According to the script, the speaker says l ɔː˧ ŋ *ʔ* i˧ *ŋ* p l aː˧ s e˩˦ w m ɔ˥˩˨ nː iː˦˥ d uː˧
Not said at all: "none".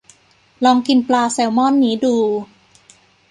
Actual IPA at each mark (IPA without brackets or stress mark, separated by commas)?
k, n